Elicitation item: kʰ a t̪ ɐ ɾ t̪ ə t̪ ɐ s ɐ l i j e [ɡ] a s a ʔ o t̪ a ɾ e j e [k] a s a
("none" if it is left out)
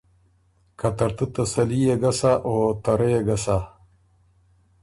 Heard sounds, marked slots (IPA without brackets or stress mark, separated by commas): ɡ, ɡ